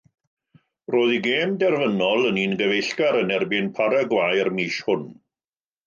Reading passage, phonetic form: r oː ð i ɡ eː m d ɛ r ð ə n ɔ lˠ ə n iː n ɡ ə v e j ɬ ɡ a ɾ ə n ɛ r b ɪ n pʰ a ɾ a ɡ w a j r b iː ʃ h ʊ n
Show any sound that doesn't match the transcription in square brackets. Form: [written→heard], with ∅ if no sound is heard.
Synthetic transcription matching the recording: r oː ð i ɡ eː m d ɛ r [ð→v] ə n ɔ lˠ ə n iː n ɡ ə v e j ɬ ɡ a ɾ ə n ɛ r b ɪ n pʰ a ɾ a ɡ w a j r [b→m] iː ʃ h ʊ n